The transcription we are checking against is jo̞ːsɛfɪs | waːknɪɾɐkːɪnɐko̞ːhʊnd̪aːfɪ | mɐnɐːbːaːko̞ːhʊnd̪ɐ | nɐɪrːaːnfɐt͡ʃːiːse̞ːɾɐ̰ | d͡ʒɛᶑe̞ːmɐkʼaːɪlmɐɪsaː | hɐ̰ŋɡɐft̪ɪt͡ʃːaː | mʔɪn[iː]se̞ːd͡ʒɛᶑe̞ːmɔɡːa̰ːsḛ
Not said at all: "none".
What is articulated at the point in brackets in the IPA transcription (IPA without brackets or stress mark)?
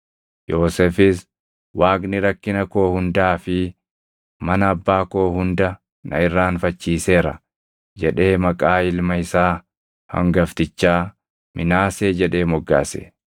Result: aː